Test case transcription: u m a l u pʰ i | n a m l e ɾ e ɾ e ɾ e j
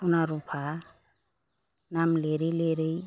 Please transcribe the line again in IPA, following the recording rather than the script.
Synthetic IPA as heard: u n a ɾ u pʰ a | n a m l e ɾ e l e ɾ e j